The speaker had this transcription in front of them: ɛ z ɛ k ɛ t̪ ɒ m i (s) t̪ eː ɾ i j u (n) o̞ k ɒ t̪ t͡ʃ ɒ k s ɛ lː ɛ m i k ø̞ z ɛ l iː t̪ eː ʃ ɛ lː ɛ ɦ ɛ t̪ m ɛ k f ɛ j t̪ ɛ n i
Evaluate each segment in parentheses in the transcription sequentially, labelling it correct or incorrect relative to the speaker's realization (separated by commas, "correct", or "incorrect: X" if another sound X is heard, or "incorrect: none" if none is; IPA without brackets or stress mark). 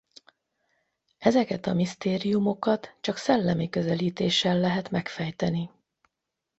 correct, incorrect: m